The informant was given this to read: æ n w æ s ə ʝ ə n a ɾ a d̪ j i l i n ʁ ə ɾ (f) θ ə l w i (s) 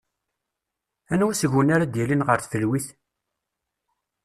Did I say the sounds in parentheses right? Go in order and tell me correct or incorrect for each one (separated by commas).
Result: incorrect, incorrect